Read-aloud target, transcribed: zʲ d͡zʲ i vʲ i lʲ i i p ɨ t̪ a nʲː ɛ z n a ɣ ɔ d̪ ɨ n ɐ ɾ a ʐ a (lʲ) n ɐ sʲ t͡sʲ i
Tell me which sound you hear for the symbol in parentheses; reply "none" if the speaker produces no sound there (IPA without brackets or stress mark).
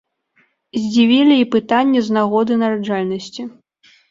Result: lʲ